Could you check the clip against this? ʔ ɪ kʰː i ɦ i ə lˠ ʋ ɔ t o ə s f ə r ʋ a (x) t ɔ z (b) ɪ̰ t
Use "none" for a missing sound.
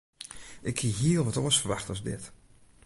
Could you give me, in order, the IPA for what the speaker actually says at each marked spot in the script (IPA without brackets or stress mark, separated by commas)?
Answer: x, d